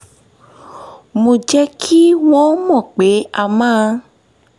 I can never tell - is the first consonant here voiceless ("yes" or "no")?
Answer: no